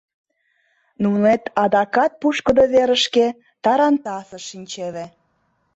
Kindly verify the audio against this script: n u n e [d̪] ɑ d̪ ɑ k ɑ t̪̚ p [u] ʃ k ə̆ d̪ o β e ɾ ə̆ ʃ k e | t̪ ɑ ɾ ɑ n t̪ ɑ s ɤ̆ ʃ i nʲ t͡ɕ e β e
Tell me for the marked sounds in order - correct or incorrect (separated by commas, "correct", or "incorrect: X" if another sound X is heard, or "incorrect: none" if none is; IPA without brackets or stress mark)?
incorrect: t̪, correct